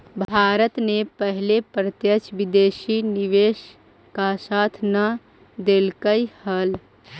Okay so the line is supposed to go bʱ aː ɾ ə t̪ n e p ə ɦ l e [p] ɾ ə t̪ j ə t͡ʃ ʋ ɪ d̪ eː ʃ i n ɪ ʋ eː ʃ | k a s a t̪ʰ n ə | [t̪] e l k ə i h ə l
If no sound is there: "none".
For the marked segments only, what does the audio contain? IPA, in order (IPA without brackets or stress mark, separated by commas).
p, d̪